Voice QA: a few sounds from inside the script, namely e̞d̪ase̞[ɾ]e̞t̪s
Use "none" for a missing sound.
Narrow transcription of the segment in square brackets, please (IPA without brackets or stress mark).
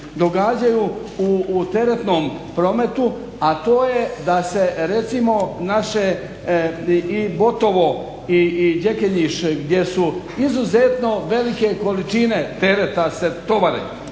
ɾ